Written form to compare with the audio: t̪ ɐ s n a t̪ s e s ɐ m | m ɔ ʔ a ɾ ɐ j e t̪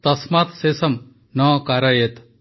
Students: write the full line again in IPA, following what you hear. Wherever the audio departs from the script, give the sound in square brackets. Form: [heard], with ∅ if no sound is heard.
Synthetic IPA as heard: t̪ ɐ s [m] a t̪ s e s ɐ m | [n] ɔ [k] a ɾ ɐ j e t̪